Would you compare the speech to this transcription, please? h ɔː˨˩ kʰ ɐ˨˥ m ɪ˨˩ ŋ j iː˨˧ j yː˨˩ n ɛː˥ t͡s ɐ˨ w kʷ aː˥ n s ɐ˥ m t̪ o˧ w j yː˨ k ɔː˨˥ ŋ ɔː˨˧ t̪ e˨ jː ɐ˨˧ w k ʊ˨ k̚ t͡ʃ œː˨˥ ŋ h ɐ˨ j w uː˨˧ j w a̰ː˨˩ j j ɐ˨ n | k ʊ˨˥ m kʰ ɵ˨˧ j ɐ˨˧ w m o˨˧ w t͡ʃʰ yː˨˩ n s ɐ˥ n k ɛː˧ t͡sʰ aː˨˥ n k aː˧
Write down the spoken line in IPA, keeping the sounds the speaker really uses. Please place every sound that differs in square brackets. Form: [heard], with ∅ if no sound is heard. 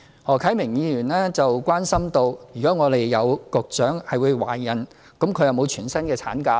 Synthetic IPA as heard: h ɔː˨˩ kʰ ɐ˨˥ m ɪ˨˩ ŋ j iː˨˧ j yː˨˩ n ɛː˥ t͡s ɐ˨ w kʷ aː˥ n s ɐ˥ m t̪ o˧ w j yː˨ k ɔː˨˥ ŋ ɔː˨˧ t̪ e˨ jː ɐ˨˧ w k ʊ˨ k̚ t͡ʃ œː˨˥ ŋ h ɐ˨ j w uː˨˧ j w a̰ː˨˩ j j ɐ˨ n | k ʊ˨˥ m kʰ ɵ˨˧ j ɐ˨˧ w m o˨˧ w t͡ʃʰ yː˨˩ n s ɐ˥ n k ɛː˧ t͡sʰ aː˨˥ n k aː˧